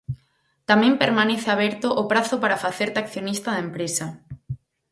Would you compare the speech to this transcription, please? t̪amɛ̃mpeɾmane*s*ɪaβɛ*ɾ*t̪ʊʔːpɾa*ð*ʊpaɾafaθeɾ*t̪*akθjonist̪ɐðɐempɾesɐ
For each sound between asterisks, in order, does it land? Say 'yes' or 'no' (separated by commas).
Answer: no, yes, no, yes